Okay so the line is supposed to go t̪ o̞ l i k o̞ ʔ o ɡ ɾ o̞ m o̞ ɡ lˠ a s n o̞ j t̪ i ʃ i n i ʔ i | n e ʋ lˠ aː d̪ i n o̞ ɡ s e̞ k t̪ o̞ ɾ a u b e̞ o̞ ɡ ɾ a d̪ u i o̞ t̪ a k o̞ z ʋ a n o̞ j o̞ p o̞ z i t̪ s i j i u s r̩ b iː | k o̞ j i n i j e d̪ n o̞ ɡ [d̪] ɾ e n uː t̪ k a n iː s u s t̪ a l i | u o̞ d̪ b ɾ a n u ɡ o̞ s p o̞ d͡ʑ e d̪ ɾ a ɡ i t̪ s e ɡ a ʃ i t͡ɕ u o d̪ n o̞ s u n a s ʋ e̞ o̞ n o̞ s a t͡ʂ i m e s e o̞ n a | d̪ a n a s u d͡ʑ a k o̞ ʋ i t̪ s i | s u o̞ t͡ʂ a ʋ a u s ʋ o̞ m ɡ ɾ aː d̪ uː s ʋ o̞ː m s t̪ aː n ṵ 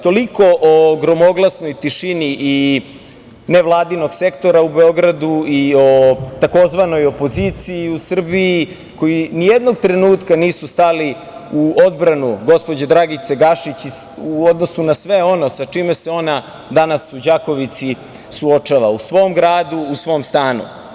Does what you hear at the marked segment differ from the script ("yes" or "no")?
yes